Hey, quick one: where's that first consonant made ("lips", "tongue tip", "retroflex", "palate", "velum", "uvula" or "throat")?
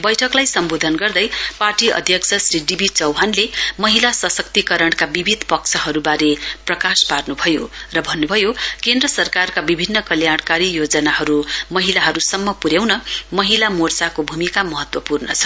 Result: lips